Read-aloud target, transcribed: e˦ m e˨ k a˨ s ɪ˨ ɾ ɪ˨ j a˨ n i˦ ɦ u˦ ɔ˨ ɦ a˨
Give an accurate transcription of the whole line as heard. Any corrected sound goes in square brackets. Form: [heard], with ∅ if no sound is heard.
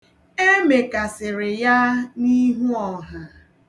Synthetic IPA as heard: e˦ m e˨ k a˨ s ɪ˨ ɾ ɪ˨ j [a˦] n i˦ ɦ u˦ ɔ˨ ɦ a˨